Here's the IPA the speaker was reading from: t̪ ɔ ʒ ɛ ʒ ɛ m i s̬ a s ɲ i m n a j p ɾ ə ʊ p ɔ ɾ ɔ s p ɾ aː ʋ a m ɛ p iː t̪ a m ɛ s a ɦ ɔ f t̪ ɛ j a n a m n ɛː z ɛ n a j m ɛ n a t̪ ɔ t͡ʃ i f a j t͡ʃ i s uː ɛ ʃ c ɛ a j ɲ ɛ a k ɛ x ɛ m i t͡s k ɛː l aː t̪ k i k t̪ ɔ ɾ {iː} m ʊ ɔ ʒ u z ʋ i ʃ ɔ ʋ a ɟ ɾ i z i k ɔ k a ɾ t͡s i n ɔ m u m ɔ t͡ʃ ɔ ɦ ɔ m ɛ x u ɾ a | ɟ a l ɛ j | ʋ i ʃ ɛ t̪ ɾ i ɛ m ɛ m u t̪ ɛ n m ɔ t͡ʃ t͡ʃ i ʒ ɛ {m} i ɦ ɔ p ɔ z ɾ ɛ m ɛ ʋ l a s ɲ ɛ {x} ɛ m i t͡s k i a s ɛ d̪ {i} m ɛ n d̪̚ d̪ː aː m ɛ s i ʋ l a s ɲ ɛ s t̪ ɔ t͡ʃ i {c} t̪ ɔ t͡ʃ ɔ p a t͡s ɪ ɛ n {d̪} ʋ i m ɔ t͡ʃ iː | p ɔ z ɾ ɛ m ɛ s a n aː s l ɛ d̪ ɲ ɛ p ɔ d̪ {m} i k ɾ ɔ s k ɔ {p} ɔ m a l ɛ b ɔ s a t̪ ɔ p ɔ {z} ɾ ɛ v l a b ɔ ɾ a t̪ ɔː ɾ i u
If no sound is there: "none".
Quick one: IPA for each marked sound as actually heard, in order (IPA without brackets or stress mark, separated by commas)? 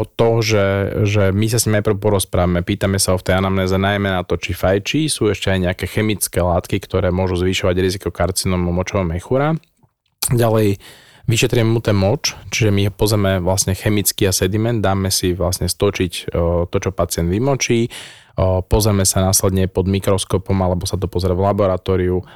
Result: ɛː, m, x, i, c, d̪, m, p, z